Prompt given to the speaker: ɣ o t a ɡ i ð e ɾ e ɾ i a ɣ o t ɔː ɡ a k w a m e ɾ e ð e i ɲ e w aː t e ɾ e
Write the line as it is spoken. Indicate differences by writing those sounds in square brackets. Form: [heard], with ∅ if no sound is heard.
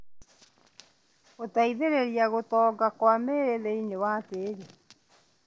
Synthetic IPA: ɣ o t a [∅] i ð e ɾ e ɾ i a ɣ o t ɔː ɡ a k w a m e ɾ e ð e i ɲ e w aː t e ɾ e